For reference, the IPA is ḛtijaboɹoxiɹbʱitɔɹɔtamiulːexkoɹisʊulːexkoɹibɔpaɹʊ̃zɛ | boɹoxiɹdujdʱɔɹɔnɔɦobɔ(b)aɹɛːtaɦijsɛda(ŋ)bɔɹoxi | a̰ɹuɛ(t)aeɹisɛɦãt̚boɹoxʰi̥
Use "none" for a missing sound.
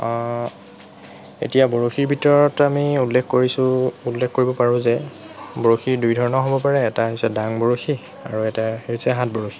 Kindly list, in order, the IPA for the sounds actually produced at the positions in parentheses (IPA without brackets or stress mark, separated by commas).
p, ŋ, t